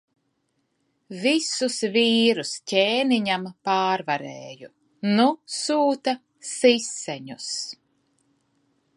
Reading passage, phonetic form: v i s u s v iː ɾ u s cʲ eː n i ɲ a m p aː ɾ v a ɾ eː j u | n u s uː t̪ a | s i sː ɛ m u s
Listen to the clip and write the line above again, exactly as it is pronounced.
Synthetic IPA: v i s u s v iː ɾ u s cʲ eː n i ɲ a m p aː ɾ v a ɾ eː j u | n u s uː t̪ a | s i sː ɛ ɲ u s